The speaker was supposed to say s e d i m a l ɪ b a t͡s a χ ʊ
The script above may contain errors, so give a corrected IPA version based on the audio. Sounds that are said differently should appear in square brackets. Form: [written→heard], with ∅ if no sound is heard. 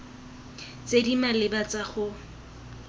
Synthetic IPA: [s→t͡s] e d i m a l ɪ b a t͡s a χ ʊ